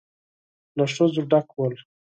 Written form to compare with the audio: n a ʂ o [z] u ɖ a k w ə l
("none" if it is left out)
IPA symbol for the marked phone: z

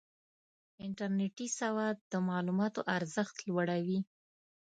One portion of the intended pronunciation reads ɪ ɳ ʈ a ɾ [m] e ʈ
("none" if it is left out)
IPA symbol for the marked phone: n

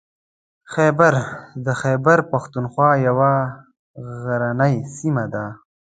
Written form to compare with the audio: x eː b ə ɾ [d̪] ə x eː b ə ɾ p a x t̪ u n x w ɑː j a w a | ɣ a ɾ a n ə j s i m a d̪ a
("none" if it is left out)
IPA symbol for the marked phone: d̪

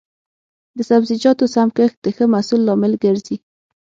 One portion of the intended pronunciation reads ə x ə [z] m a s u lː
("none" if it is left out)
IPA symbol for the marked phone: none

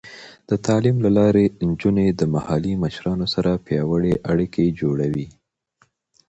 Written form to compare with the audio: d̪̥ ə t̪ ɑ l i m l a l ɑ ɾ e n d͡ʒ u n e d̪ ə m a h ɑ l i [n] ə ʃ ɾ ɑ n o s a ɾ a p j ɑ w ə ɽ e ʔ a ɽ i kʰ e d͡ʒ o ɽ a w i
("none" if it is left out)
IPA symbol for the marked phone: m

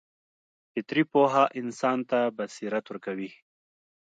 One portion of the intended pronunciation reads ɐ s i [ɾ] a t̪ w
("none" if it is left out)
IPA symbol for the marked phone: ɾ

